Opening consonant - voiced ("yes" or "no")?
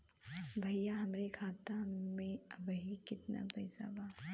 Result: yes